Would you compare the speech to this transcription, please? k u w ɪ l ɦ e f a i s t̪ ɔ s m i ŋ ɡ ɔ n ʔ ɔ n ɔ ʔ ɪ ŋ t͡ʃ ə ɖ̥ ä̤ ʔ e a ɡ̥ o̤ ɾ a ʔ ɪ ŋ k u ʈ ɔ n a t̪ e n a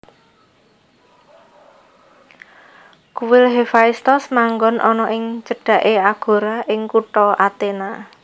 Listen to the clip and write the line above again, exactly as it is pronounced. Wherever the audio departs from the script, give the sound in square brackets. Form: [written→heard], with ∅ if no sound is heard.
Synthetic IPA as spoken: k u w ɪ l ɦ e f a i s t̪ ɔ s m [i→a] ŋ ɡ ɔ n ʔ ɔ n ɔ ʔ ɪ ŋ t͡ʃ ə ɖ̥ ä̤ ʔ e a ɡ̥ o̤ ɾ a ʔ ɪ ŋ k u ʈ ɔ [n→∅] a t̪ e n a